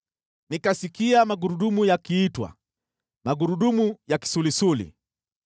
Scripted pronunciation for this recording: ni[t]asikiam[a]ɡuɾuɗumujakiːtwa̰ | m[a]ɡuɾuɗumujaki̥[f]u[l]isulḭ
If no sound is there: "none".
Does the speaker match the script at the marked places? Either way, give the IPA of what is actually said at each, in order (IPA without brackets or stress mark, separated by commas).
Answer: k, a, a, s, l